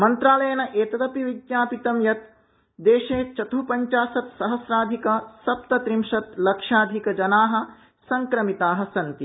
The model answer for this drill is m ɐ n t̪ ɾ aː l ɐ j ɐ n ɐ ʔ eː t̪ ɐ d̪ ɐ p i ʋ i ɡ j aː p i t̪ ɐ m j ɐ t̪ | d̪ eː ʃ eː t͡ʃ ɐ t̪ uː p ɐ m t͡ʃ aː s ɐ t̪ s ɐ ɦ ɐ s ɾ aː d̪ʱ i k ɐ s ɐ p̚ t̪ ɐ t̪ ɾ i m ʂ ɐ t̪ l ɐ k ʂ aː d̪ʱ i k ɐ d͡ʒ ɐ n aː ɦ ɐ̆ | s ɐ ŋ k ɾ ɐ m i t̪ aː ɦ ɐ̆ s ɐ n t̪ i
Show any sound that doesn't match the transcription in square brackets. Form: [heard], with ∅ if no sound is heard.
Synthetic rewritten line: m ɐ n t̪ ɾ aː l ɐ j ɐ n ɐ ʔ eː t̪ ɐ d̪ ɐ p i ʋ i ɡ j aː p i t̪ ɐ m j ɐ t̪ | d̪ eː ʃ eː t͡ʃ ɐ t̪ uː p ɐ [ɲ] t͡ʃ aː s ɐ t̪ s ɐ ɦ ɐ s ɾ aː d̪ʱ i k ɐ s ɐ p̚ t̪ ɐ t̪ ɾ i m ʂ ɐ t̪ l ɐ k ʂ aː d̪ʱ i k ɐ d͡ʒ ɐ n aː ɦ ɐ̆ | s ɐ ŋ k ɾ ɐ m i t̪ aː ɦ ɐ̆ s ɐ n t̪ i

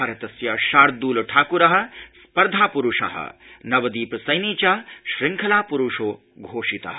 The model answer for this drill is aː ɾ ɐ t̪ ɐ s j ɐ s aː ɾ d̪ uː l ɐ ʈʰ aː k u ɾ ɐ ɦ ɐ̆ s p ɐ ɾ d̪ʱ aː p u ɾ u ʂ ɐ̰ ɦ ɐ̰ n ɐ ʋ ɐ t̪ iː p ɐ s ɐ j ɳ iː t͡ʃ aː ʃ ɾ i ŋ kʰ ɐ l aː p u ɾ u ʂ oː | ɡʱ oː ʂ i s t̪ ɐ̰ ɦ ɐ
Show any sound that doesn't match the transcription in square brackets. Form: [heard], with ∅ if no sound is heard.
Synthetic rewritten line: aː ɾ ɐ t̪ ɐ s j ɐ [ʃ] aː ɾ d̪ uː l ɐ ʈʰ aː k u ɾ ɐ ɦ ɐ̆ s p ɐ ɾ d̪ʱ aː p u ɾ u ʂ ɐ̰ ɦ ɐ̰ n ɐ ʋ ɐ [d̪] iː p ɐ s ɐ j [n] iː t͡ʃ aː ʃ ɾ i ŋ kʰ ɐ l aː p u ɾ u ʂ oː | ɡʱ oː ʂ i [∅] t̪ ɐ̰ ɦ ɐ

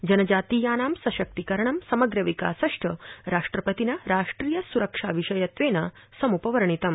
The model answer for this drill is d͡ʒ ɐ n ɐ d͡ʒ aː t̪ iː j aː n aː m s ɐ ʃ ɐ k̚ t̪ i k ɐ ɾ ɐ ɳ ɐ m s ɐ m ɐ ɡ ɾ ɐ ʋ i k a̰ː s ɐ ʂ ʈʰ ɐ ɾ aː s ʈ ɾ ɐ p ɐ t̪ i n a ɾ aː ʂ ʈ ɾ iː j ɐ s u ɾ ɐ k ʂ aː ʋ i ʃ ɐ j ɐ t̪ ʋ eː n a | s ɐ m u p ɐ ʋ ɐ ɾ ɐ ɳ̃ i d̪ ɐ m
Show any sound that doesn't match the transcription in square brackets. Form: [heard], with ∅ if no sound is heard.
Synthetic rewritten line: d͡ʒ ɐ n ɐ d͡ʒ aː t̪ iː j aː n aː m s ɐ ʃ ɐ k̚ t̪ i k ɐ ɾ ɐ ɳ ɐ m s ɐ m ɐ ɡ ɾ ɐ ʋ i k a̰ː s ɐ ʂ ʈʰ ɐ ɾ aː [ʂ] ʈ ɾ ɐ p ɐ t̪ i n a ɾ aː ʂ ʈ ɾ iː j ɐ s u ɾ ɐ k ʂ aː ʋ i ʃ ɐ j ɐ t̪ ʋ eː n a | s ɐ m u p ɐ ʋ ɐ ɾ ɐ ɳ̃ i [t̪] ɐ m

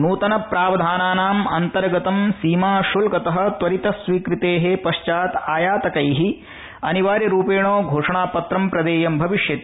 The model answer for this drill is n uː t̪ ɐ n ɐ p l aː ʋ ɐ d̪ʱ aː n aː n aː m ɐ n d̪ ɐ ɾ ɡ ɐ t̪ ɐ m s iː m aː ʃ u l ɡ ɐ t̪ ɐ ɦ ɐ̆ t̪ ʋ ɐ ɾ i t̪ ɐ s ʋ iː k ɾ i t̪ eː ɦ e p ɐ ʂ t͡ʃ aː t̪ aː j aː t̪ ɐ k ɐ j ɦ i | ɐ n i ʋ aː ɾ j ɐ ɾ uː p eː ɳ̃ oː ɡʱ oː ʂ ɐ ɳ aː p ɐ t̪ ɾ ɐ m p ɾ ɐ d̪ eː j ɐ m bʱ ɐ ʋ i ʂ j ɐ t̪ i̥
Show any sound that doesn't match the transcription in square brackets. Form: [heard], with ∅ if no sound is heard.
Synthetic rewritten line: n uː t̪ ɐ n ɐ p [ɾ] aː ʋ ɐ d̪ʱ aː n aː n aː m ɐ n [t̪] ɐ ɾ ɡ ɐ t̪ ɐ m s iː m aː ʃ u l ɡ ɐ t̪ ɐ ɦ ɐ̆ t̪ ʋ ɐ ɾ i t̪ ɐ s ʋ iː k ɾ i t̪ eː ɦ e p ɐ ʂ t͡ʃ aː t̪ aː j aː t̪ ɐ k ɐ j ɦ i | ɐ n i ʋ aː ɾ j ɐ ɾ uː p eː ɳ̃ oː ɡʱ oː ʂ ɐ ɳ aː p ɐ t̪ ɾ ɐ m p ɾ ɐ d̪ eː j ɐ m bʱ ɐ ʋ i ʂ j ɐ t̪ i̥

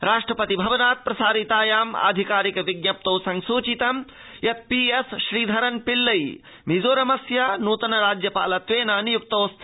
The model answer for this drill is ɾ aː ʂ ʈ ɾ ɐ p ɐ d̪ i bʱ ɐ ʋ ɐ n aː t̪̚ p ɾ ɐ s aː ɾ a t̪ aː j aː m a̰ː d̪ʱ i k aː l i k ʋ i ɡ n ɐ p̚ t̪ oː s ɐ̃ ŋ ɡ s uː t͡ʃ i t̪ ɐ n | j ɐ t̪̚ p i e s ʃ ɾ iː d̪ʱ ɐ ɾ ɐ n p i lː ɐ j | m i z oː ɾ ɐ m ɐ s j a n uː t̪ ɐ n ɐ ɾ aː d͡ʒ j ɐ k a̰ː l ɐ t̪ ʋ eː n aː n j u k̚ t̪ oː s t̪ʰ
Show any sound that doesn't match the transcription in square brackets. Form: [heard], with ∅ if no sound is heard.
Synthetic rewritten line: ɾ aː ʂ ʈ ɾ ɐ p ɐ [t̪] i bʱ ɐ ʋ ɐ n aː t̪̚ p ɾ ɐ s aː ɾ [i] t̪ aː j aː m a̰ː d̪ʱ i k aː [ɾ] i k ʋ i ɡ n ɐ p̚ t̪ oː s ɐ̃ ŋ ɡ s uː t͡ʃ i t̪ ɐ [m] | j ɐ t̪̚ p i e s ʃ ɾ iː d̪ʱ ɐ ɾ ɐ n p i lː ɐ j | m i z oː ɾ ɐ m ɐ s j a n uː t̪ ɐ n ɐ ɾ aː d͡ʒ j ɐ [p] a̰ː l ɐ t̪ ʋ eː n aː n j u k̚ t̪ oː s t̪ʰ

